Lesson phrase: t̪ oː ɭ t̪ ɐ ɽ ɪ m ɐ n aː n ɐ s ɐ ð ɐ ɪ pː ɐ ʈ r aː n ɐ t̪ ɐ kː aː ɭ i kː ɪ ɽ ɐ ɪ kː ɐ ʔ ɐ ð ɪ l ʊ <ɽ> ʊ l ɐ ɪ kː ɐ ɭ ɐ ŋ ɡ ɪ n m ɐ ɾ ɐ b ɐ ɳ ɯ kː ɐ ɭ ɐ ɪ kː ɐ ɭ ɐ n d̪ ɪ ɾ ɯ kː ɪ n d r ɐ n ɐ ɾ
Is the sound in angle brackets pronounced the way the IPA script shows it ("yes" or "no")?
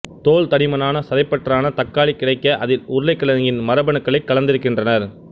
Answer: no